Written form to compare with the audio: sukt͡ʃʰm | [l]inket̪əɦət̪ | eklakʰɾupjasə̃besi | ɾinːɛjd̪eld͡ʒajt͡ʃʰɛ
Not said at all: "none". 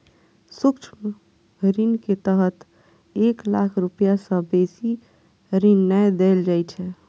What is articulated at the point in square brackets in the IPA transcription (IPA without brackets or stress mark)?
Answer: ɾ